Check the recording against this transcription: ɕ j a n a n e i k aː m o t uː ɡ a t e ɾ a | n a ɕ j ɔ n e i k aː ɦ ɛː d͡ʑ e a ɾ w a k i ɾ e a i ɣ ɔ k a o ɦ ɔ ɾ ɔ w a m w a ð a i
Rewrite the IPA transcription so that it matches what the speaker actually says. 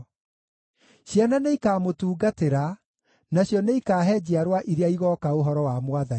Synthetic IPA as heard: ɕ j a n a n e i k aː m o t uː ɡ a t e ɾ a | n a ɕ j ɔ n e i k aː ɦ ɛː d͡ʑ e a ɾ w a ʔ i ɾ e a i ɣ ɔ k a o ɦ ɔ ɾ ɔ w a m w a ð a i